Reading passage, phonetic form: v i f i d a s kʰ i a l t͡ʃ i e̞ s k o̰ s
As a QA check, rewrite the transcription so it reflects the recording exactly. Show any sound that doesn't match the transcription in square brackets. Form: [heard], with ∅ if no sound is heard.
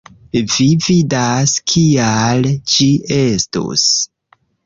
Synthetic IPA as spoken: v i [v] i d a s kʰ i a l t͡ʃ i e̞ s [t] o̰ s

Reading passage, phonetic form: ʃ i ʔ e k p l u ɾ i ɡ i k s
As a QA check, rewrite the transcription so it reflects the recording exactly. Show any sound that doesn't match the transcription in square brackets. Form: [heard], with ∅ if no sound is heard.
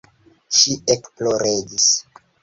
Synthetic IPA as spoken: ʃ i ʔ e k p l [o] ɾ [e] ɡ i [∅] s

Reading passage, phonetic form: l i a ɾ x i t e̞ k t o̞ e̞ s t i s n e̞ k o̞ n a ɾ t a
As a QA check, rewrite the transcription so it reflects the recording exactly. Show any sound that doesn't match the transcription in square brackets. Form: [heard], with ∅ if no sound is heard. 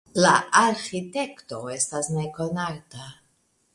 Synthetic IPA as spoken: l [a] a ɾ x i t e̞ k t o̞ e̞ s t [a] s n e̞ k o̞ n a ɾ t a

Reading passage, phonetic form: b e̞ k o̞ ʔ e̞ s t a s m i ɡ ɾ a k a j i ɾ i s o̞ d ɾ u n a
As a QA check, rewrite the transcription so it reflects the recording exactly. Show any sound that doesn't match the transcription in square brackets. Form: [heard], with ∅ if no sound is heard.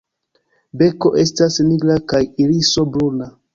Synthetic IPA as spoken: b e̞ k o̞ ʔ e̞ s t a s [n] i ɡ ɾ a k a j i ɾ i s o̞ [b] ɾ u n a

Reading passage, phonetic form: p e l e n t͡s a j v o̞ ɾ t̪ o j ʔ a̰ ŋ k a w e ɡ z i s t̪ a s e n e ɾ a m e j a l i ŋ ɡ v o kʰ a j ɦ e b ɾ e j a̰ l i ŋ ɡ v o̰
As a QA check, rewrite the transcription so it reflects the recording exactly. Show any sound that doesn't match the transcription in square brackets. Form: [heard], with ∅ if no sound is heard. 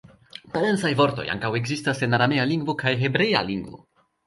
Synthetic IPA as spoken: p [a] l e n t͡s a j v o̞ ɾ t̪ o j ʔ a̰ ŋ k a w e ɡ z i s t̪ a s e n [a] ɾ a m e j a l i ŋ ɡ v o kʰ a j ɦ e b ɾ e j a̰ l i ŋ ɡ v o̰

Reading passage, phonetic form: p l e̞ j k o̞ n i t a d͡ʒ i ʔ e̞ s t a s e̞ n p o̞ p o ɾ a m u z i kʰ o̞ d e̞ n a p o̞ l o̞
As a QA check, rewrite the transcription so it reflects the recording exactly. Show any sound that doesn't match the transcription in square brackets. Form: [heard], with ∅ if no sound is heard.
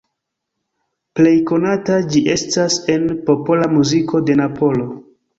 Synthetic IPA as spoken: p l e̞ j k o̞ n [a] t a d͡ʒ i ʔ e̞ s t a s e̞ n p o̞ p o [l] a m u z i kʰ o̞ d e̞ n a p o̞ l o̞

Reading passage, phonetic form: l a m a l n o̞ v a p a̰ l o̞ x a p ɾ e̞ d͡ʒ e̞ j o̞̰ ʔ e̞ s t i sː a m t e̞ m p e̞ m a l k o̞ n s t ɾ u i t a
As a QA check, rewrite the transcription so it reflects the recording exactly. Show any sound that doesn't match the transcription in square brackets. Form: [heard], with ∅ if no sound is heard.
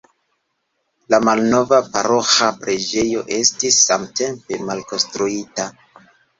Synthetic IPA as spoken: l a m a l n o̞ v a p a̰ [ɾ] o̞ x a p ɾ e̞ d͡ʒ e̞ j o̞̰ ʔ e̞ s t i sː a m t e̞ m p e̞ m a l k o̞ n s t ɾ u i t a

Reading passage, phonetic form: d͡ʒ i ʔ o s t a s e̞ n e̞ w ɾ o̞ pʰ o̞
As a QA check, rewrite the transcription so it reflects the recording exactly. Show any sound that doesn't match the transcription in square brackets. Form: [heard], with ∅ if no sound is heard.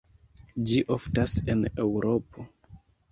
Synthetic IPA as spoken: d͡ʒ i ʔ o [f] t a s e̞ n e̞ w ɾ o̞ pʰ o̞

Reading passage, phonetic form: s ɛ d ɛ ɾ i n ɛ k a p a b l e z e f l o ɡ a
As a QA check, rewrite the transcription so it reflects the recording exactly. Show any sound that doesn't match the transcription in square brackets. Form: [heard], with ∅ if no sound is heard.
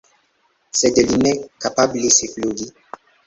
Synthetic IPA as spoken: s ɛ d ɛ [l] i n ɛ k a p a b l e [s] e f l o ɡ [i]

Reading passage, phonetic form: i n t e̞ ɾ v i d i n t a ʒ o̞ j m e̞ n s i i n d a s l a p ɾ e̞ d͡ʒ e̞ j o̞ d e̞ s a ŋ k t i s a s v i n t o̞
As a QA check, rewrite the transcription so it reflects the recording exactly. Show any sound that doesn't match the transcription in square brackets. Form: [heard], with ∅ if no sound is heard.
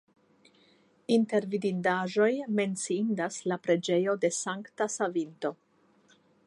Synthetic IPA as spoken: i n t e̞ ɾ v i d i n [d] a ʒ o̞ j m e̞ n [t͡s] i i n d a s l a p ɾ e̞ d͡ʒ e̞ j o̞ d e̞ s a ŋ k t [a] s a [∅] v i n t o̞

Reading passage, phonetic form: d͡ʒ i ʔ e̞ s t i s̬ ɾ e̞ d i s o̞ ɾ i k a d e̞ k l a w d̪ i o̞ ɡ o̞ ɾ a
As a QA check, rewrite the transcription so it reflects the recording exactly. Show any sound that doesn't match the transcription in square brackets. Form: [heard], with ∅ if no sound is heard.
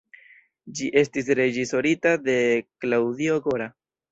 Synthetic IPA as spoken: d͡ʒ i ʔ e̞ s t i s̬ ɾ e̞ [d͡ʒ] i s o̞ ɾ i [t] a d e̞ k l a w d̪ i o̞ ɡ o̞ ɾ a

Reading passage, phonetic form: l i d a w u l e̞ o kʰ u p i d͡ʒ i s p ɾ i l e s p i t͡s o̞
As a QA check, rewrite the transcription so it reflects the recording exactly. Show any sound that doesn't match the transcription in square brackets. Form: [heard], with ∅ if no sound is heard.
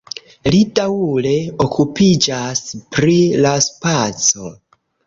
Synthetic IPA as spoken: l i d a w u l e̞ o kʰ u p i d͡ʒ [a] s p ɾ i l [a] s p [a] t͡s o̞

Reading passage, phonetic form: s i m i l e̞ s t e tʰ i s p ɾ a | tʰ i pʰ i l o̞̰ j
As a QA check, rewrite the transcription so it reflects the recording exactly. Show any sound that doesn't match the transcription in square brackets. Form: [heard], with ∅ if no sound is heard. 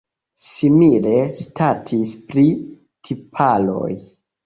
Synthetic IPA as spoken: s i m i l e̞ s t [a] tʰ i s p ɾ [i] | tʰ i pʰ [a] l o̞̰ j

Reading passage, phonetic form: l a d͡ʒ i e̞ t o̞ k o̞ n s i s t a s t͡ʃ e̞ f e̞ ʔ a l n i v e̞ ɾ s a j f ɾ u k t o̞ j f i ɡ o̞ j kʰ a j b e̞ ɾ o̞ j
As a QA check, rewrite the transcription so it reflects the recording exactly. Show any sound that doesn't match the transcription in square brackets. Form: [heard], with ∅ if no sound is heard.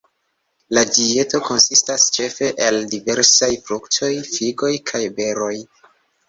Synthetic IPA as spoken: l a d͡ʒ i e̞ t o̞ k o̞ n s i s t a s t͡ʃ e̞ f e̞ ʔ [e] l [d] i v e̞ ɾ s a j f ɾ u k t o̞ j f i ɡ o̞ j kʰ a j b e̞ ɾ o̞ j

